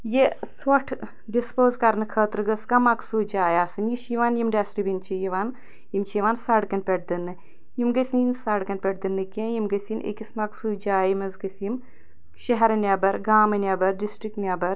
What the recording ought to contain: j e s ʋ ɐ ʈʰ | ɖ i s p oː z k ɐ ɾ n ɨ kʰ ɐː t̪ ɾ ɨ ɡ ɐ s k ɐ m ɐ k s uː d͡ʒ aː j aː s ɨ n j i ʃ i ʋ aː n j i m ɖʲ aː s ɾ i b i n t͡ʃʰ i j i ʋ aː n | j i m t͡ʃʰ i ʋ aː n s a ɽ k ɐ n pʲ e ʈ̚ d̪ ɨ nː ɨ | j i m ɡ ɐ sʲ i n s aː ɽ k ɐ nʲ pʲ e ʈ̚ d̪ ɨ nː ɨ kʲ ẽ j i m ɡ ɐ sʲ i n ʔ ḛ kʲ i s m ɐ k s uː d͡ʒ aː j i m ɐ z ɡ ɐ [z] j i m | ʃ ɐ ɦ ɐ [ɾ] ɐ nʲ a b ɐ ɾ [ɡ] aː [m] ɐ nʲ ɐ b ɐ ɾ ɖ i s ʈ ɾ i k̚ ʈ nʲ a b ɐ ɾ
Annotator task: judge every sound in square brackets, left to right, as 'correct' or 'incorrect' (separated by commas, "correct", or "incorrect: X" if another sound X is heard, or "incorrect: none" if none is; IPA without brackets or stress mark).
incorrect: s, correct, correct, correct